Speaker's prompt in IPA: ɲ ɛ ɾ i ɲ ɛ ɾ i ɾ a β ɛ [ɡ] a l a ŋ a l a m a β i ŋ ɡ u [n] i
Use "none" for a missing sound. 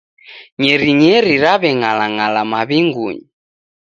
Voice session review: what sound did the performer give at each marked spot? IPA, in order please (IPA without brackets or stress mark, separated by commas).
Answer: ŋ, ɲ